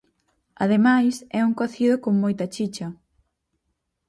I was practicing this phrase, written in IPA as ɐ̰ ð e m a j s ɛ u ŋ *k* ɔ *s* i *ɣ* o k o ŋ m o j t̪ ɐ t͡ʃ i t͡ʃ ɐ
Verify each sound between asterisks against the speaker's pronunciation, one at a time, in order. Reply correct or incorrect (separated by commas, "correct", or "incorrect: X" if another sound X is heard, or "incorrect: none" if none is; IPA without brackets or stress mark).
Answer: correct, incorrect: θ, incorrect: ð